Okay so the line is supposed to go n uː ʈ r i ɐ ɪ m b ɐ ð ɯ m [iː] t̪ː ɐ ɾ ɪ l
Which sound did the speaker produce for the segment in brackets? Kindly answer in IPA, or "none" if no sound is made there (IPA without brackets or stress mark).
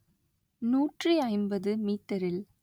iː